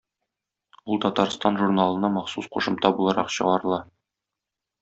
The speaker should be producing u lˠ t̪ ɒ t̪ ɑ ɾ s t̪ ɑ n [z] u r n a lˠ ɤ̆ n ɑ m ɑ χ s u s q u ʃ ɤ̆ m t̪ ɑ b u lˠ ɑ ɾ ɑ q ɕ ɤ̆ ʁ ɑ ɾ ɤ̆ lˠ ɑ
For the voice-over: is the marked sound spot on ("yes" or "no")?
no